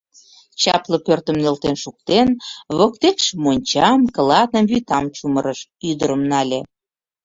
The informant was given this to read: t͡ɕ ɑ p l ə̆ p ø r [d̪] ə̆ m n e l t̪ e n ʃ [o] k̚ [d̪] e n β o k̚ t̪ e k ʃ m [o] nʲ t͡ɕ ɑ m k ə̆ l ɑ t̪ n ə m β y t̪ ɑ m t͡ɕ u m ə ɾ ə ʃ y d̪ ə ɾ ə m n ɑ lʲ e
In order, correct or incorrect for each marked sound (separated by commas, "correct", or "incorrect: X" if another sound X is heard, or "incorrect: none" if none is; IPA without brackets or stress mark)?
incorrect: t̪, incorrect: u, incorrect: t̪, correct